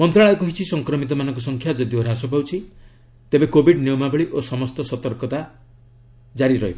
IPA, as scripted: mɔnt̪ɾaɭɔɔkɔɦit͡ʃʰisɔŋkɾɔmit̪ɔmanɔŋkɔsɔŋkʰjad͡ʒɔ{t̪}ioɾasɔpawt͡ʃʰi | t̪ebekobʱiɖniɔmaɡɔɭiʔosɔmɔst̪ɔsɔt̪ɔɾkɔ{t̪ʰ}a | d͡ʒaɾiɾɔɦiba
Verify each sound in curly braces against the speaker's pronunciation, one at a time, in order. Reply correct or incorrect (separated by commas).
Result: incorrect, incorrect